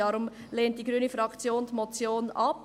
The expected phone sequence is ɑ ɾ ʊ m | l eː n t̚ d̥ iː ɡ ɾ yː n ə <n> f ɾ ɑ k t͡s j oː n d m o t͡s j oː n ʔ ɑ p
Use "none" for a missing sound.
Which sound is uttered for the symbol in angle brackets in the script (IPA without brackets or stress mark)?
none